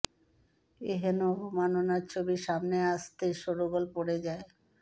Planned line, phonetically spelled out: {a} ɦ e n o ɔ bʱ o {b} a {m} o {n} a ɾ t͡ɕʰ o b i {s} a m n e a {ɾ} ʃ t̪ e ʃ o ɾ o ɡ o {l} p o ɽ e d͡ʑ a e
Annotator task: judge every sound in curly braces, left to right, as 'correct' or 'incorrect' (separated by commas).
incorrect, incorrect, incorrect, correct, incorrect, incorrect, correct